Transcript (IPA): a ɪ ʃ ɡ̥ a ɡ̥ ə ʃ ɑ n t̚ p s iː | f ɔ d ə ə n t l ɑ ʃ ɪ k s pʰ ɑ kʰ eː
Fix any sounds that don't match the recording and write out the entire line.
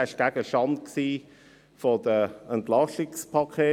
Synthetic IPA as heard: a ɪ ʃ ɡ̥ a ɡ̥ ə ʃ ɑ n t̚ k s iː | f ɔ d ə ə n t l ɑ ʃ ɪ k s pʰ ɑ kʰ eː